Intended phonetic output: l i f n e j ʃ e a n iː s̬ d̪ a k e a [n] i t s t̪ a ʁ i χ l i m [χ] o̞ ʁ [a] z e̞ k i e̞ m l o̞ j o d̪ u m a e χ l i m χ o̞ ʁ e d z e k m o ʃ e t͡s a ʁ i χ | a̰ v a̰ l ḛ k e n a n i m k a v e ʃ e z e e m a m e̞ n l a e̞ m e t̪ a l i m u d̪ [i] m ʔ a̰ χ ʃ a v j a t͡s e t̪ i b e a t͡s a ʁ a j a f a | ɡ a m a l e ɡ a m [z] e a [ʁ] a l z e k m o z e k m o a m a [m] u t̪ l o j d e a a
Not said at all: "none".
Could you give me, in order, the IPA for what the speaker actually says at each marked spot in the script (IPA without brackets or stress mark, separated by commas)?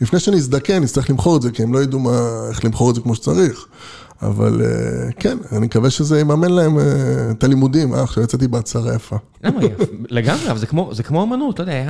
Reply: n, χ, e, i, ʁ, v, n